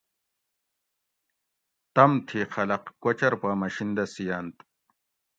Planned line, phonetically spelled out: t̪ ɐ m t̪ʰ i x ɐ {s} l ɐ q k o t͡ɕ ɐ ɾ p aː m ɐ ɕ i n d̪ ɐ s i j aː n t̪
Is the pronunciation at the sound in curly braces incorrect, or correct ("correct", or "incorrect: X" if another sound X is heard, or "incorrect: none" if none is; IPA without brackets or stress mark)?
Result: incorrect: none